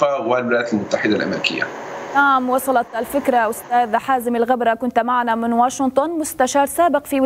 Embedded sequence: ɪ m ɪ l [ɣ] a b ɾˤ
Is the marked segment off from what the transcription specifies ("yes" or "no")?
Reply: no